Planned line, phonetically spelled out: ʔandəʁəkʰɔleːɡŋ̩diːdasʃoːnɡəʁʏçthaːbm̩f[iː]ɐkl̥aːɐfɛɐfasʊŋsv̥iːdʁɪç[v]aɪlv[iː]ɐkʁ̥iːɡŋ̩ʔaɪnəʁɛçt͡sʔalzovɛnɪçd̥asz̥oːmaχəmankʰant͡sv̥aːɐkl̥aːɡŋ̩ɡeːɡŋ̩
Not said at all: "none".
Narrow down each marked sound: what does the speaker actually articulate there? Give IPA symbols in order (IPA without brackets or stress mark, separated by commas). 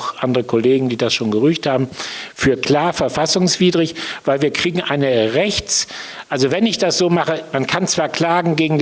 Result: yː, v, iː